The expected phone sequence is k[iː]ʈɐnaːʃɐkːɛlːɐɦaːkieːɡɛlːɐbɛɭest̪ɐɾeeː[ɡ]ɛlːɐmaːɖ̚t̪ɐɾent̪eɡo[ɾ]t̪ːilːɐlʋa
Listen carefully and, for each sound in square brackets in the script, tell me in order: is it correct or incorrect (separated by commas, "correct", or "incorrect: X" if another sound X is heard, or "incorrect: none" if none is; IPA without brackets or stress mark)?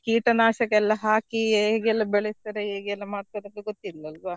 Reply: correct, correct, incorrect: none